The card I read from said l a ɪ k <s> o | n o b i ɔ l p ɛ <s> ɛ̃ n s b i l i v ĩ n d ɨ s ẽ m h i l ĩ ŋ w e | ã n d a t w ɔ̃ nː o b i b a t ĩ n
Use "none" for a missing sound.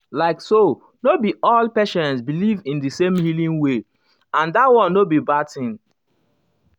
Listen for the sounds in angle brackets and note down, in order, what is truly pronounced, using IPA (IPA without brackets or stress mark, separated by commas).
s, ʃ